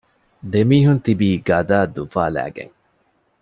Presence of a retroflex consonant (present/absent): absent